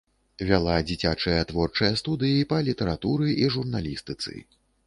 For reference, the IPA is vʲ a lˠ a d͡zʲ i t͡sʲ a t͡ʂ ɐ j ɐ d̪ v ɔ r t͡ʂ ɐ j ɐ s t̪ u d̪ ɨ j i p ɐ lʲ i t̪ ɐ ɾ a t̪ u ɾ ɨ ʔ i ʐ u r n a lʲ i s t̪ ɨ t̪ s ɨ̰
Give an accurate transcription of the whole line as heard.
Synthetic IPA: vʲ a lˠ a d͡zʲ i t͡sʲ a t͡ʂ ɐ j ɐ t̪ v ɔ r t͡ʂ ɐ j ɐ s t̪ u d̪ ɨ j i p ɐ lʲ i t̪ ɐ ɾ a t̪ u ɾ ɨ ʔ i ʐ u r n a lʲ i s t̪ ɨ t̪ s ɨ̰